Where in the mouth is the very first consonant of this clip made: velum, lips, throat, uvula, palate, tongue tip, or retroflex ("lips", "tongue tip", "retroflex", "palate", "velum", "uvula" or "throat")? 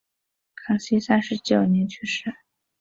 velum